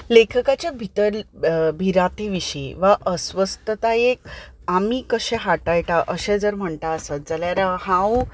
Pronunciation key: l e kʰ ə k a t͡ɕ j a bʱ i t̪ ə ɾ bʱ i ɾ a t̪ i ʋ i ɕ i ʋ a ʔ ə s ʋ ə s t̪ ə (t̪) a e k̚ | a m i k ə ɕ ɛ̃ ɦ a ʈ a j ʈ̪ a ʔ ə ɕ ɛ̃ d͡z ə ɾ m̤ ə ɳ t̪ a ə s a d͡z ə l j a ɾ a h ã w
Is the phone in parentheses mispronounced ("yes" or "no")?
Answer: no